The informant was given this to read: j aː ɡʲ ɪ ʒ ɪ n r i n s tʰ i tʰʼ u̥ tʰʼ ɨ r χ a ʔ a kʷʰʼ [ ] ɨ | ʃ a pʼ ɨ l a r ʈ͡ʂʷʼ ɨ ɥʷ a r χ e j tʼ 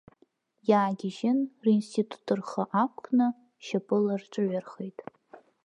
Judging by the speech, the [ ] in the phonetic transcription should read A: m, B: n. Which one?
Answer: B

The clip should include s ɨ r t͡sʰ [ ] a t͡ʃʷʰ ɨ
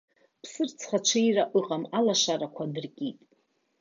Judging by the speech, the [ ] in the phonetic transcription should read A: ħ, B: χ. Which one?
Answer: B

